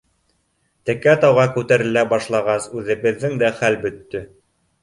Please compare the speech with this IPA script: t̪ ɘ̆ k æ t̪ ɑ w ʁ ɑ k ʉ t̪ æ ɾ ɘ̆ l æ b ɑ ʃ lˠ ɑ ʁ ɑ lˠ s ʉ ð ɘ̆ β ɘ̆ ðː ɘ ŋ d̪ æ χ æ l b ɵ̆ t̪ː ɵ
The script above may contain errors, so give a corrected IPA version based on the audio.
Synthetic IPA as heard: t̪ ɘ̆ k æ t̪ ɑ w ʁ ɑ k ʉ t̪ æ ɾ ɘ̆ l æ b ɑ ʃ lˠ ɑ ʁ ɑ s ʉ ð ɘ̆ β ɘ̆ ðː ɘ ŋ d̪ æ χ æ l b ɵ̆ t̪ː ɵ